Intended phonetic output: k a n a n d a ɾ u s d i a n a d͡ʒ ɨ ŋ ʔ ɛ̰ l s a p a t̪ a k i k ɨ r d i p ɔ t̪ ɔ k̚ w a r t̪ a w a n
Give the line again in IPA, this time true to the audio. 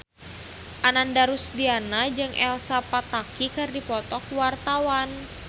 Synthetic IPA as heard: ʔ a n a n d a ɾ u s d i a n a d͡ʒ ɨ ŋ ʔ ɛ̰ l s a p a t̪ a k i k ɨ r d i p ɔ t̪ ɔ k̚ w a r t̪ a w a n